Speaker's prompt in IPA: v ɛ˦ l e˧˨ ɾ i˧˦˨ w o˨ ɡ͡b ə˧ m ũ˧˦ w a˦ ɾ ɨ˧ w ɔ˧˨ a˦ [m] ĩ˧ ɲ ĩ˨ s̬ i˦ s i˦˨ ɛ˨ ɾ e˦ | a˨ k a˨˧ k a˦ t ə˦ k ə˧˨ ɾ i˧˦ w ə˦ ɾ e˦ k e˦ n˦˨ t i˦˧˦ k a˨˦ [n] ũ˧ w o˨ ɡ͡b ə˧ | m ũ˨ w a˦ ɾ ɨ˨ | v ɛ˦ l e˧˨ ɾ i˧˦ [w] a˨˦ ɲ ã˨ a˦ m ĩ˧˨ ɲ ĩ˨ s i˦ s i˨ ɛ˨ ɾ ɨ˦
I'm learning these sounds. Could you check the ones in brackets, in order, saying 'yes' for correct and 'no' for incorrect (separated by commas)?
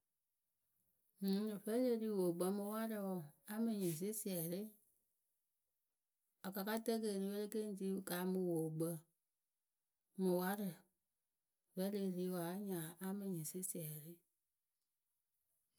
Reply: yes, no, yes